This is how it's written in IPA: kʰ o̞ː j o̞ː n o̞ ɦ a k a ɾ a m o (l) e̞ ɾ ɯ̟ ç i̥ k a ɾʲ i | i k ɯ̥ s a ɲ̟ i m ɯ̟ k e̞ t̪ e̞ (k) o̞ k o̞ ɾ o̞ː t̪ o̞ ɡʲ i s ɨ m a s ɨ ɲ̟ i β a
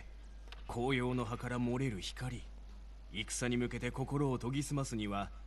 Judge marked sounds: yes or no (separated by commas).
no, yes